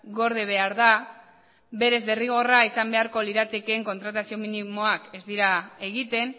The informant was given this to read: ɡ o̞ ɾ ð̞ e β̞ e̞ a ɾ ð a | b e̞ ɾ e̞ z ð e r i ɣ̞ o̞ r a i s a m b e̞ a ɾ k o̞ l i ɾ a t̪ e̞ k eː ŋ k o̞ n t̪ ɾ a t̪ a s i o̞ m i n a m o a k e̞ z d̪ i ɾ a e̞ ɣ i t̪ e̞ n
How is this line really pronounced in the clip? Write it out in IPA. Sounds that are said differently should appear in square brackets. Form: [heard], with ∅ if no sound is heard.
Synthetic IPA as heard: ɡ o̞ ɾ ð̞ e β̞ e̞ a ɾ ð a | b e̞ ɾ e̞ z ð e r i ɣ̞ o̞ r a i s a m b e̞ a ɾ k o̞ l i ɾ a t̪ e̞ k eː ŋ k o̞ n t̪ ɾ a t̪ a s i o̞ m i n [i] m o a k e̞ z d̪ i ɾ a e̞ ɣ i t̪ e̞ n